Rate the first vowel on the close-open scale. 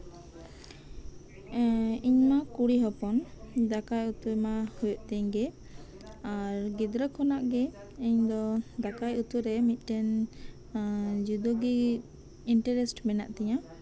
close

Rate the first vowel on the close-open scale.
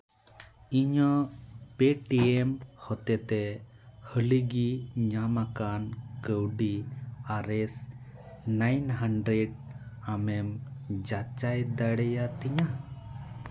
close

